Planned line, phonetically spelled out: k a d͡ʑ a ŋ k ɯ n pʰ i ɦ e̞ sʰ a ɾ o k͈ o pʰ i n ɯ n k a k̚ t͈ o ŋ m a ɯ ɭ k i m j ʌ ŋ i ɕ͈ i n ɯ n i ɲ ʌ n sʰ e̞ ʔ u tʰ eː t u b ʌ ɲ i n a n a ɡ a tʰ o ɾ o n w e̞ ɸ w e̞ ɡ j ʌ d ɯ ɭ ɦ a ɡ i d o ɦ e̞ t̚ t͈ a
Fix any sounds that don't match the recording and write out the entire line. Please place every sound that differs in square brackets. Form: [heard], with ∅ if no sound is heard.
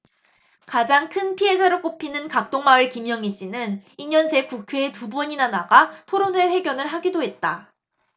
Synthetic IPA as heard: k a d͡ʑ a ŋ [kʰ] ɯ n pʰ i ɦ e̞ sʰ a ɾ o k͈ o pʰ i n ɯ n k a k̚ t͈ o ŋ m a ɯ ɭ k i m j ʌ ŋ i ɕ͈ i n ɯ n i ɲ ʌ n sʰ e̞ [k] u [kʰ] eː t u b ʌ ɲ i n a n a ɡ a tʰ o ɾ o n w e̞ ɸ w e̞ ɡ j ʌ [n] ɯ ɭ ɦ a ɡ i d o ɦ e̞ t̚ t͈ a